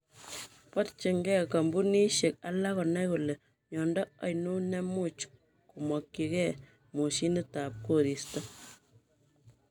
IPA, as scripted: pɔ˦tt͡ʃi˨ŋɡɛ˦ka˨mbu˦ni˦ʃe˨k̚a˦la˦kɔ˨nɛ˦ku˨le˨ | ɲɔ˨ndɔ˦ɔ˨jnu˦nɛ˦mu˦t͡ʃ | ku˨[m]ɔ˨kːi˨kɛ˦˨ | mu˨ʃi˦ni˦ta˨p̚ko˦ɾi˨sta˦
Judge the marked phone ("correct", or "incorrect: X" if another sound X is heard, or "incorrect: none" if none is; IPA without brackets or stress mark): correct